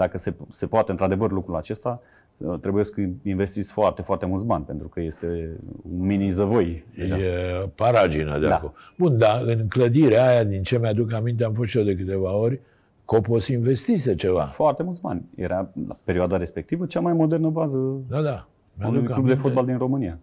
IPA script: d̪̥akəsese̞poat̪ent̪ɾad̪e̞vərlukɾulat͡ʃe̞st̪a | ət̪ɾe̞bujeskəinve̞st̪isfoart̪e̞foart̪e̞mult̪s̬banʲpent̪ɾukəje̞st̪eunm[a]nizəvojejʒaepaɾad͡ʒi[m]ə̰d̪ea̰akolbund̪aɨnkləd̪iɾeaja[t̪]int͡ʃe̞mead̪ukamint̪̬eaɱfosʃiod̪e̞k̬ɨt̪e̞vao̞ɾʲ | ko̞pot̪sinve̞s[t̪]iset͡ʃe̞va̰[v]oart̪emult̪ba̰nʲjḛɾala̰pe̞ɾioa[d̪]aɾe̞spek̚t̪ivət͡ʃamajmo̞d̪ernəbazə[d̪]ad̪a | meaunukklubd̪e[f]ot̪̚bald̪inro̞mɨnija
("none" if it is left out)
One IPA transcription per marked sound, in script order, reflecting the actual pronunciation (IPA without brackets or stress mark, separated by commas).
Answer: i, n, d̪, t̪, f, d̪, d̪, f